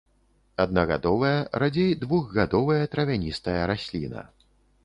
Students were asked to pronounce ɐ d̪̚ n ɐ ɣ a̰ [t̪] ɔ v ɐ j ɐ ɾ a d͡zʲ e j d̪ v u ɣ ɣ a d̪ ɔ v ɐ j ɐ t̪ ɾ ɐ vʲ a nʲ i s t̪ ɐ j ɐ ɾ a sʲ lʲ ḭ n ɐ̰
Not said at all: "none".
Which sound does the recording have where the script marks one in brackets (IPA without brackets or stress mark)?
d̪